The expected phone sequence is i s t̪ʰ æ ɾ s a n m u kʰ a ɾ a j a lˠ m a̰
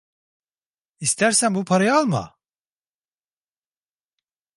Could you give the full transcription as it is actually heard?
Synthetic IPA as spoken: i s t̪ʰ æ ɾ s æ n b u pʰ a ɾ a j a lˠ m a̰